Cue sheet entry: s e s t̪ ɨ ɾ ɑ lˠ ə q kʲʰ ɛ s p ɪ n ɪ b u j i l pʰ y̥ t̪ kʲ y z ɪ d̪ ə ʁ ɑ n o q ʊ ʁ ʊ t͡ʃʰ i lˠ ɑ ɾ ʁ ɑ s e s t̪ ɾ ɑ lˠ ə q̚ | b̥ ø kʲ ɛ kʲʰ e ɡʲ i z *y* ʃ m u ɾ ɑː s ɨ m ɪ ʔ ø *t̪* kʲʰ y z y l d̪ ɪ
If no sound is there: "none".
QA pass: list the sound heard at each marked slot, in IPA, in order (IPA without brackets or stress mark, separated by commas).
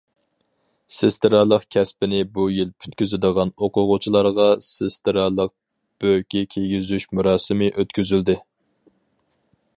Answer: y, t̪